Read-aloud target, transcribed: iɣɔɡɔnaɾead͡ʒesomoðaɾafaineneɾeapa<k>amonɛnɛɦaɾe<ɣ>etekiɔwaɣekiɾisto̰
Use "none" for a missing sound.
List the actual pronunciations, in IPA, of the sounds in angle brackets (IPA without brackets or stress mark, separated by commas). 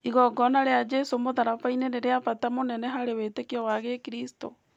t, w